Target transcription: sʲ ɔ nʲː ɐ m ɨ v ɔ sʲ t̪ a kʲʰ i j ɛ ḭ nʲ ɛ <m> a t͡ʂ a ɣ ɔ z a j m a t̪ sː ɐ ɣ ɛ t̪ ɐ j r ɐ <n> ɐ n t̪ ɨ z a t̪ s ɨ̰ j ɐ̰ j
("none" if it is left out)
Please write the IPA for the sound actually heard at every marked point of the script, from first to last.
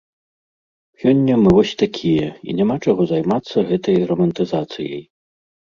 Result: m, m

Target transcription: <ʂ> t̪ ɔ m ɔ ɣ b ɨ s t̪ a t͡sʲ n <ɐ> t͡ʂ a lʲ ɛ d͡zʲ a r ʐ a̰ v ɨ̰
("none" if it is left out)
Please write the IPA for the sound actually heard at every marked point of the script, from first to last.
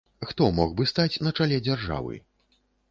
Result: x, ɐ

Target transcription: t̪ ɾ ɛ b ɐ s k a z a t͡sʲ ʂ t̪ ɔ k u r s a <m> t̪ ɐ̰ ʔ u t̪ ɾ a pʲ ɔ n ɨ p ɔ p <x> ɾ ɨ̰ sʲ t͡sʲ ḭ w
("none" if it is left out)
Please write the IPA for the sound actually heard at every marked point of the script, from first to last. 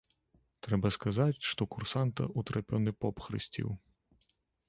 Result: n, x

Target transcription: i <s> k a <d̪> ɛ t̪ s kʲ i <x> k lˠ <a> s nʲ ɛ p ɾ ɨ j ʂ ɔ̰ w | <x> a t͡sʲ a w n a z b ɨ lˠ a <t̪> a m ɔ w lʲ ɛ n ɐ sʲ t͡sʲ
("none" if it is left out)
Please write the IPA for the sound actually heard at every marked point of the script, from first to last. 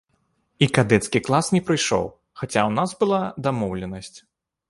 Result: none, d̪, none, a, x, d̪

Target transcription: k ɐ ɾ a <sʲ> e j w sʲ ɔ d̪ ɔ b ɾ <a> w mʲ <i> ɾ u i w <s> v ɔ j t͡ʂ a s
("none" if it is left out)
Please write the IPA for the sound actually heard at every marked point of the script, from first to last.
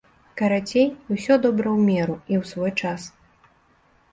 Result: t͡sʲ, ɐ, ɛ, s

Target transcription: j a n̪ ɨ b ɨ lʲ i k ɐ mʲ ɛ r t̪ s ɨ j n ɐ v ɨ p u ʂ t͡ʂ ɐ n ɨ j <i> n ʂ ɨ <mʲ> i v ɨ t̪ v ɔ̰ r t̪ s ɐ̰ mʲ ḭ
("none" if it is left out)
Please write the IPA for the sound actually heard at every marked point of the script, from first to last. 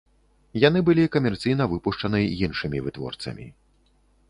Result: i, mʲ

